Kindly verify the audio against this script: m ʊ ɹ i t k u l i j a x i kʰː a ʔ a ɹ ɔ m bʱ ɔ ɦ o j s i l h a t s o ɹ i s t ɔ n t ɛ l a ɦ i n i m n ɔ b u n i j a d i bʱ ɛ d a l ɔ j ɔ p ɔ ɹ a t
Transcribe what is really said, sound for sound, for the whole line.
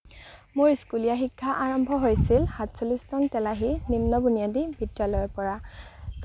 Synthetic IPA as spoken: m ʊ ɹ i s k u l i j a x i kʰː a ʔ a ɹ ɔ m bʱ ɔ ɦ o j s i l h a t s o l i s t ɔ n t ɛ l a ɦ i n i m n ɔ b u n i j a d i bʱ i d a l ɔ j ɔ p ɔ ɹ a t